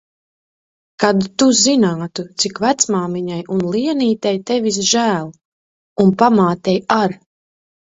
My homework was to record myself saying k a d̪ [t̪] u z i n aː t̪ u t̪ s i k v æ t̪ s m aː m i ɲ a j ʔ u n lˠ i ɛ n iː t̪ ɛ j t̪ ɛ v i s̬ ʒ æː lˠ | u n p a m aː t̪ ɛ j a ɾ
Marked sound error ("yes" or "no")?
no